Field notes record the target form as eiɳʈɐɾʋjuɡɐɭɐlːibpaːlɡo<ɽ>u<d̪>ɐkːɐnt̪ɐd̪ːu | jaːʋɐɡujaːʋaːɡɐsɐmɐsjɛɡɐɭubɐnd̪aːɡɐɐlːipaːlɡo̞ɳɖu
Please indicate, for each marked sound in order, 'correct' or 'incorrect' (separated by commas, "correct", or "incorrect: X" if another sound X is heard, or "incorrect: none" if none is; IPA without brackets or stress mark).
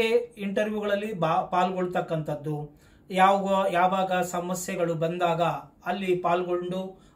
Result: incorrect: ɭ, incorrect: t̪